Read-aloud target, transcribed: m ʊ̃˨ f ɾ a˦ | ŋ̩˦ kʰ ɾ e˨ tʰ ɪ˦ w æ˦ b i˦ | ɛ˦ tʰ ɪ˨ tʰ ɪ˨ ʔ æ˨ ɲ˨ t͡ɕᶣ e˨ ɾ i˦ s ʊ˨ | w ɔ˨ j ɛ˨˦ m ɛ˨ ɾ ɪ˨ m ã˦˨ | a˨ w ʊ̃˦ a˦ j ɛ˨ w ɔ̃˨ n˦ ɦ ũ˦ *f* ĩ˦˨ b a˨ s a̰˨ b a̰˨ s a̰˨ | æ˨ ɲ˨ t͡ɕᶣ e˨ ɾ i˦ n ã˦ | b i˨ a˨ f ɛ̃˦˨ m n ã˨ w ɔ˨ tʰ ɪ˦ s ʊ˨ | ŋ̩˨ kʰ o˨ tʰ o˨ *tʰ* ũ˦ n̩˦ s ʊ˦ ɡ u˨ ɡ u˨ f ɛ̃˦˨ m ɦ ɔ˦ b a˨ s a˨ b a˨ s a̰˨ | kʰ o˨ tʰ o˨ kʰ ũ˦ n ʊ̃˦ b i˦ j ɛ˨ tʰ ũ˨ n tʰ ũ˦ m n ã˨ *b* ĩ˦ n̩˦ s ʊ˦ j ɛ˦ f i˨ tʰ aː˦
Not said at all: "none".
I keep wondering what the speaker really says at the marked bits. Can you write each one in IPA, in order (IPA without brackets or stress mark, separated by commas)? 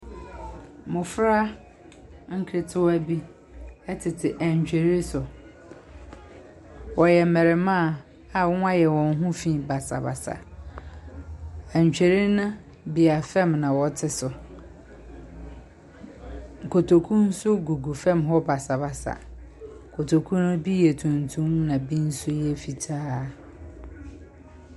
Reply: f, kʰ, b